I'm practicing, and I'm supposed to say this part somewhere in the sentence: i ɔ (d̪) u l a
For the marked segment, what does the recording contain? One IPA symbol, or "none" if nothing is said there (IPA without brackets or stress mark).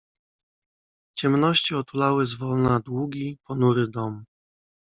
t̪